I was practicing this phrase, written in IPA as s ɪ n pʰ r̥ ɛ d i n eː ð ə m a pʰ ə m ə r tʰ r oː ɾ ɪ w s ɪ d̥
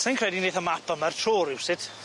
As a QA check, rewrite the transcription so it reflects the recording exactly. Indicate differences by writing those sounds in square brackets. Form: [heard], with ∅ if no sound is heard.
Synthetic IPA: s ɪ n [kʰ] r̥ ɛ d i n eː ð ə m a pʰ ə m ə r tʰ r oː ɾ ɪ w s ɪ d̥